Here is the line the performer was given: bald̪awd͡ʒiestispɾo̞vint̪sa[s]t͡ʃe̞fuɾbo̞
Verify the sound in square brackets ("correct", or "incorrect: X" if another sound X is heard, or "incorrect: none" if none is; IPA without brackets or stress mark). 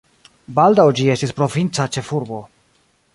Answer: incorrect: none